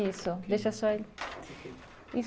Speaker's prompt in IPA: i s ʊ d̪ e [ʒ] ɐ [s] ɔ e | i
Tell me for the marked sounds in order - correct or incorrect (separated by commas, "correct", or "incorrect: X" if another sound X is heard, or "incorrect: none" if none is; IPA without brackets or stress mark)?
incorrect: ʃ, correct